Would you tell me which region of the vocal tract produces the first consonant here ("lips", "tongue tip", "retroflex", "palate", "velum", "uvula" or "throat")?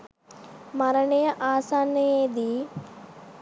lips